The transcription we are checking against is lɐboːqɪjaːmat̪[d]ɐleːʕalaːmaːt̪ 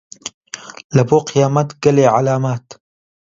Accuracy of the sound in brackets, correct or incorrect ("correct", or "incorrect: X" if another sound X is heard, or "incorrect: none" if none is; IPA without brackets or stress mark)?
incorrect: ɡ